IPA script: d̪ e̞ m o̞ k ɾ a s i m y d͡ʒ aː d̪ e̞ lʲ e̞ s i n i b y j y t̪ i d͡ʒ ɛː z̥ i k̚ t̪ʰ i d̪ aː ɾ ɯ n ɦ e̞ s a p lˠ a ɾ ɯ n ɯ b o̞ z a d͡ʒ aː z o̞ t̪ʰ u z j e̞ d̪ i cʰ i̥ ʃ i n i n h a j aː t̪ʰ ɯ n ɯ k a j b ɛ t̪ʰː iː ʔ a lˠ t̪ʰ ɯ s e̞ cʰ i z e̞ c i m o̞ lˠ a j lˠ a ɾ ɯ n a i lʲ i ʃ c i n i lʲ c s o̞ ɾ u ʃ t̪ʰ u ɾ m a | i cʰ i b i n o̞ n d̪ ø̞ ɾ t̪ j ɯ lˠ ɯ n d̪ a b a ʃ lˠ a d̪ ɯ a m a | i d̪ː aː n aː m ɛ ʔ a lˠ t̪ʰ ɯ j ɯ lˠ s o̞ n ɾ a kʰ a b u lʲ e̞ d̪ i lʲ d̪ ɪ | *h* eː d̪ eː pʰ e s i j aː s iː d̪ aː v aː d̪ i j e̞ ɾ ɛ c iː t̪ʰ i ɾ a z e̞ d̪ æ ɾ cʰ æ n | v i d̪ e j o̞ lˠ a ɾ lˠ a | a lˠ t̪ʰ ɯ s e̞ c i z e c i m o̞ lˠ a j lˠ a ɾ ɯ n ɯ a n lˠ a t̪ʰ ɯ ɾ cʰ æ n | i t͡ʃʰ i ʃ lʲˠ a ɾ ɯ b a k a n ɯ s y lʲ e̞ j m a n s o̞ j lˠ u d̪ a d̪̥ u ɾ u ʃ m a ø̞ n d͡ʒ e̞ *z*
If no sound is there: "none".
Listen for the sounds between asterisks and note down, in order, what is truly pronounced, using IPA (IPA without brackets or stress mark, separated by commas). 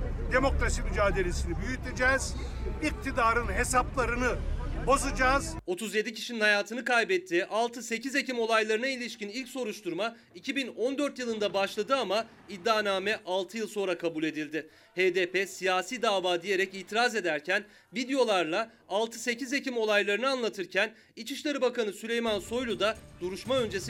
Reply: h, s